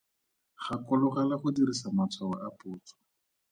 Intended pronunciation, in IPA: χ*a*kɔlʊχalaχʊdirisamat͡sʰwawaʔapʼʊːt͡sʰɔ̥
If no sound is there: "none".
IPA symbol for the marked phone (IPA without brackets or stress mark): a